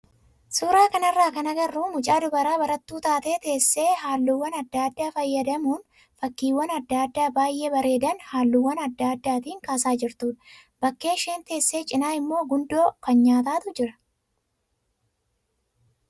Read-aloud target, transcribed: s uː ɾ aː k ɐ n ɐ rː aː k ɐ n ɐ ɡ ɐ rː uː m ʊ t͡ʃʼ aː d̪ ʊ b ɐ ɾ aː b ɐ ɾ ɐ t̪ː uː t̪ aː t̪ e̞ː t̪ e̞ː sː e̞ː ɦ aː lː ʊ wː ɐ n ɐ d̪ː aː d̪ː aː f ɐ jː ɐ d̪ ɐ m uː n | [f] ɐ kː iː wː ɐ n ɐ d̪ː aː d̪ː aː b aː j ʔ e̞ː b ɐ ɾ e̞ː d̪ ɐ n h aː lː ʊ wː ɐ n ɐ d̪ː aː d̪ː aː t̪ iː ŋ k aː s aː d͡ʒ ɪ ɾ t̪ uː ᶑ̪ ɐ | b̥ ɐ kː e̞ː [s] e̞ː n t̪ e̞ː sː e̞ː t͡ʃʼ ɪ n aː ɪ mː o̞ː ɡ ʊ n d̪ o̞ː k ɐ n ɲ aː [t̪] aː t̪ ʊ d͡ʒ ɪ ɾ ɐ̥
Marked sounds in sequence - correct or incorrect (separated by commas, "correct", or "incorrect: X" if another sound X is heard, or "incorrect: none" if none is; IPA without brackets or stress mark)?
correct, incorrect: ʃ, correct